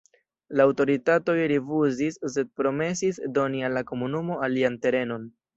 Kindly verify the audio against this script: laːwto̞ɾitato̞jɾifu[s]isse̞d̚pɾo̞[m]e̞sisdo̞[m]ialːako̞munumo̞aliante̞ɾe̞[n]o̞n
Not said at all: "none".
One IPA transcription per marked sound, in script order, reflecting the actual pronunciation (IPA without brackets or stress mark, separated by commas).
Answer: z, m, n, n